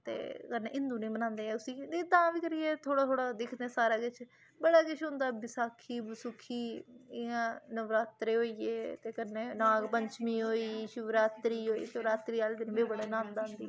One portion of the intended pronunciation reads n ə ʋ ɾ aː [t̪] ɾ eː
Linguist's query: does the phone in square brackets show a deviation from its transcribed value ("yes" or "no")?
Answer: no